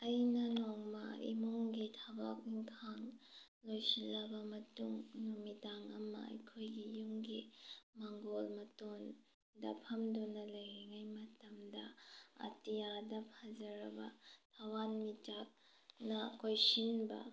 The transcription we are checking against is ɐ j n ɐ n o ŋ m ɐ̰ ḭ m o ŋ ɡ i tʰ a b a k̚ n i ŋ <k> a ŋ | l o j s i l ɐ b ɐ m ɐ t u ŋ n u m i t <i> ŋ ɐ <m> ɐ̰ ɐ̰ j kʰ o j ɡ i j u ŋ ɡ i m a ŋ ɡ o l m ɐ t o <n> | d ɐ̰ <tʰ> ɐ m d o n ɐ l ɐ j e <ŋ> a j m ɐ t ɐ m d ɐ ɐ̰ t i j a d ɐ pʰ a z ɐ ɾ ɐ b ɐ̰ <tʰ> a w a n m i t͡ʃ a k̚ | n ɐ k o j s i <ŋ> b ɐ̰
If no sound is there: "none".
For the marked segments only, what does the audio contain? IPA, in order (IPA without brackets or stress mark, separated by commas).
kʰ, a, m, n, pʰ, ŋ, tʰ, n